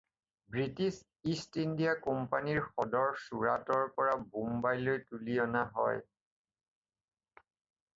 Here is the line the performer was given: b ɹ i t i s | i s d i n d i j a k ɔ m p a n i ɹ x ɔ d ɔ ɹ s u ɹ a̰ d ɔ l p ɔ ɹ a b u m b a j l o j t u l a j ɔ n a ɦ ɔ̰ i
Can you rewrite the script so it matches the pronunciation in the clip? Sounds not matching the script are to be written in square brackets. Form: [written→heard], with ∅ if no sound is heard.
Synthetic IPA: b ɹ i t i s | i s [d→t] i n d i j a k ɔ m p a n i ɹ x ɔ d ɔ ɹ s u ɹ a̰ [d→t] ɔ [l→ɹ] p ɔ ɹ a b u m b a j l o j t u l [a→i] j ɔ n a ɦ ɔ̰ [i→j]